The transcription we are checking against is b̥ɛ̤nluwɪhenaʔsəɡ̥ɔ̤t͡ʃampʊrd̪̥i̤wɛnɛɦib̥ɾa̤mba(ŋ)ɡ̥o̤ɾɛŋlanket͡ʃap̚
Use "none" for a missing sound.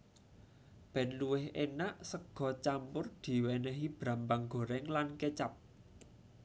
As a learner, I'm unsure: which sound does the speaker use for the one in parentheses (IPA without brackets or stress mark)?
ŋ